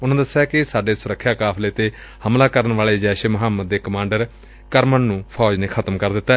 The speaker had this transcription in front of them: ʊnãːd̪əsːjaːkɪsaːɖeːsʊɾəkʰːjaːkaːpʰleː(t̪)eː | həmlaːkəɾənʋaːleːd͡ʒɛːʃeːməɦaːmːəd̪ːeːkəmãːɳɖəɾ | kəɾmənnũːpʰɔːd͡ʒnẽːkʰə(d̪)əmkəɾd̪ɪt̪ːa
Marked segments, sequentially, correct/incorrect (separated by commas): correct, incorrect